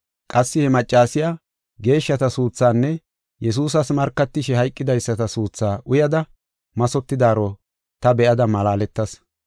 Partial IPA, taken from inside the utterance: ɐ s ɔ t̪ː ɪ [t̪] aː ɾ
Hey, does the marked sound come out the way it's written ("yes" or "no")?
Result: no